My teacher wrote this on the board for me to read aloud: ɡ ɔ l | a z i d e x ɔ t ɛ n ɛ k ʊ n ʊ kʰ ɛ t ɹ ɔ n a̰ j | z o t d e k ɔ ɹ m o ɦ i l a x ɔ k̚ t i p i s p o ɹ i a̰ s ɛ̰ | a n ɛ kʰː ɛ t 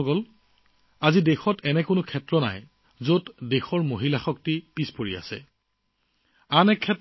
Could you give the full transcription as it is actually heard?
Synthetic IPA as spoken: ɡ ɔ l | a z i d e x ɔ t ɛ n ɛ k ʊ n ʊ kʰ ɛ t ɹ ɔ n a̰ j | z o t d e x ɔ ɹ m o ɦ i l a x ɔ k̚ t i p i s p o ɹ i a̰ s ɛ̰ | a n ɛ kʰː ɛ t